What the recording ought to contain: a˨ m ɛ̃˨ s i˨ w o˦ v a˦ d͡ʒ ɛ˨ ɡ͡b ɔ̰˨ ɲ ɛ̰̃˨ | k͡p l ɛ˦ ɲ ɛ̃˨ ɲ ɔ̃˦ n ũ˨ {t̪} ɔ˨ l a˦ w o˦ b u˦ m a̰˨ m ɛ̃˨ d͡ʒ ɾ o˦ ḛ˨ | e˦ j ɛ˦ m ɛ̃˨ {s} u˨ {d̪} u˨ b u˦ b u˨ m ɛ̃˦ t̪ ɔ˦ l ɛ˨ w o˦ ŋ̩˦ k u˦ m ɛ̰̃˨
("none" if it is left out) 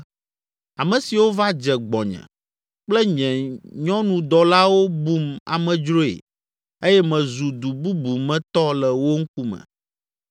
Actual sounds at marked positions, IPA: d̪, z, d̪

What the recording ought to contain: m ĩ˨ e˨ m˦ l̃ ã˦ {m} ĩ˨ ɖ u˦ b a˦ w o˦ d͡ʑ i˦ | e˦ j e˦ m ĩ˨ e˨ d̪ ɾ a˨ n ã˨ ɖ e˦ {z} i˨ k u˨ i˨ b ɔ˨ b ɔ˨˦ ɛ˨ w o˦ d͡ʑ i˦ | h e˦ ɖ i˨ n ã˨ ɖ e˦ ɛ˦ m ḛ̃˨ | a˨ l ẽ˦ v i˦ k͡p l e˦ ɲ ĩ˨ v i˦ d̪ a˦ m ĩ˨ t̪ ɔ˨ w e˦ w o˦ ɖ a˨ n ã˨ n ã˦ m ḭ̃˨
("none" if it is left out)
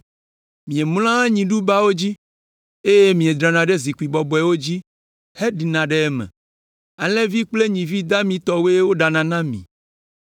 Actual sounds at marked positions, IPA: ɲ, z

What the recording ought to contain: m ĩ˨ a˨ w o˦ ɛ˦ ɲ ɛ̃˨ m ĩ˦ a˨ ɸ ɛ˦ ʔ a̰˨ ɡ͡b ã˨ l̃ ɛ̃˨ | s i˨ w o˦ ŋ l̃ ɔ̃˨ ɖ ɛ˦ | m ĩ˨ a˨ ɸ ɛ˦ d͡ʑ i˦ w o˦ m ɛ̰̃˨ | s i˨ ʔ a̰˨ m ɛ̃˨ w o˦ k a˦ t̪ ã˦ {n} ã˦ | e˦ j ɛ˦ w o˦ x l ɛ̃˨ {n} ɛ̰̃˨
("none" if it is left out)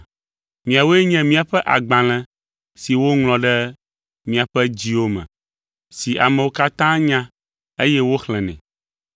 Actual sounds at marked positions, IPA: ɲ, n

